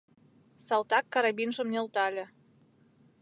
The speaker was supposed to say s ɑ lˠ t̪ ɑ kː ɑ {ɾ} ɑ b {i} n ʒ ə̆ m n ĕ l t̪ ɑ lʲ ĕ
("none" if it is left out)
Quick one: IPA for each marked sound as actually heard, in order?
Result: ɾ, i

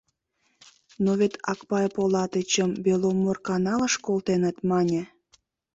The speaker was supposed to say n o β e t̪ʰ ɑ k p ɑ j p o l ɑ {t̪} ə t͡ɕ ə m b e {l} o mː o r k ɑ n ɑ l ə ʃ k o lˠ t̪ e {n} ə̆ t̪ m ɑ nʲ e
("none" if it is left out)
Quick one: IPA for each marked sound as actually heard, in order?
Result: t̪, l, n

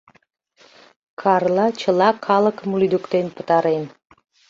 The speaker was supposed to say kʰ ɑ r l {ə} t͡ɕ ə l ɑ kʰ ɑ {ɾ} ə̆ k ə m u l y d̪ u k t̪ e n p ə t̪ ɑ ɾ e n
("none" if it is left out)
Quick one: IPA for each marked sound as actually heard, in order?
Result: ɑ, l

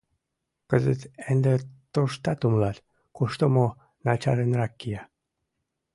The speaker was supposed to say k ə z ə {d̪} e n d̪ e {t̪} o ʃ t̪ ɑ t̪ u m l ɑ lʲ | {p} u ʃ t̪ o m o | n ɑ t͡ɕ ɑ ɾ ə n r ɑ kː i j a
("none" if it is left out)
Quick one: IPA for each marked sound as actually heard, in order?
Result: t̪, t̪, k

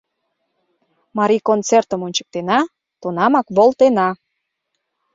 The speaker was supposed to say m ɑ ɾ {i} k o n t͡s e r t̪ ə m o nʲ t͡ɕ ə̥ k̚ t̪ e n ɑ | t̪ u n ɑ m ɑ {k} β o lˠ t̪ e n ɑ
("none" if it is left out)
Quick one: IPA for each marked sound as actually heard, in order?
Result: i, k

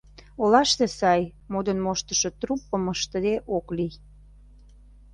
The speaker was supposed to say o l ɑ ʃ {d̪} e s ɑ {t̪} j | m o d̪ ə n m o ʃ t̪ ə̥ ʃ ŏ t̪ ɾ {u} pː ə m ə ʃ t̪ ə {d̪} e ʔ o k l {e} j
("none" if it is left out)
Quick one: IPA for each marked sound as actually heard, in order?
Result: t̪, none, u, d̪, i

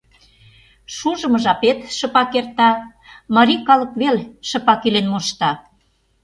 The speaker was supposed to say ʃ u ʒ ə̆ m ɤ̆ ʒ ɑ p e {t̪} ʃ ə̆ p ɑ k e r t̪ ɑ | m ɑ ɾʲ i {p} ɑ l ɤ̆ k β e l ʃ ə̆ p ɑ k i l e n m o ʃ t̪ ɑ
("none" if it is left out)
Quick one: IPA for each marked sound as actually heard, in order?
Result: t̪, k

